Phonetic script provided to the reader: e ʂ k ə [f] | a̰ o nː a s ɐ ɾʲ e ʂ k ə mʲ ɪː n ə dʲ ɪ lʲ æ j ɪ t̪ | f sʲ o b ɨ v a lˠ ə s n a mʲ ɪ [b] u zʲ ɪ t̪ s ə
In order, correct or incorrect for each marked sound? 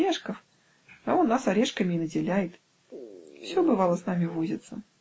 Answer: correct, incorrect: v

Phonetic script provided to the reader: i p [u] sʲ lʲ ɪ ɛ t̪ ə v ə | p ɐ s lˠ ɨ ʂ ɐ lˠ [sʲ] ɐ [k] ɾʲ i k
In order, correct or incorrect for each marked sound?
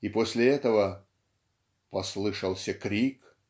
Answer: incorrect: o, correct, correct

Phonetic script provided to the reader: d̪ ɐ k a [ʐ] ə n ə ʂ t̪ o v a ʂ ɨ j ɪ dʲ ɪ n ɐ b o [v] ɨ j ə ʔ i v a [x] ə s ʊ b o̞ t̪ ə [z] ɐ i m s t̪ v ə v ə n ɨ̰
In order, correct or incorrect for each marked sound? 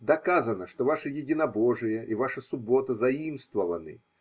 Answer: incorrect: z, incorrect: ʐ, incorrect: ʂ, correct

